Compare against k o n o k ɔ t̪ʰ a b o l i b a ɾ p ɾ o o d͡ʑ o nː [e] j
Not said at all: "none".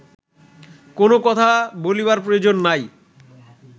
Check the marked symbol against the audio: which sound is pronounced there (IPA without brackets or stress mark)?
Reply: a